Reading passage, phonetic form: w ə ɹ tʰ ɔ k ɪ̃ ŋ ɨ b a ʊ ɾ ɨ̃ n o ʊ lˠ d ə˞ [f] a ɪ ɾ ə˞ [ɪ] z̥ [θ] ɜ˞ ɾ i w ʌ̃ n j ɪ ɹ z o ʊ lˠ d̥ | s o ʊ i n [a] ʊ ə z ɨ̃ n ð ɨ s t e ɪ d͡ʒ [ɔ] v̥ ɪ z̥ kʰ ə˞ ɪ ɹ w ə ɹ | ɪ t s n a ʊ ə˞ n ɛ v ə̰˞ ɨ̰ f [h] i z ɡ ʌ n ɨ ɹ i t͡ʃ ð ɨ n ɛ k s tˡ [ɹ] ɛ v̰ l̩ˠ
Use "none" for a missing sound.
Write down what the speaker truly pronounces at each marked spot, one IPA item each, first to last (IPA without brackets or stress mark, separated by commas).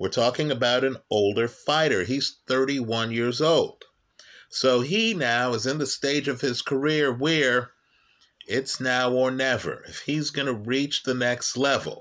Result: f, i, θ, a, ʌ, h, l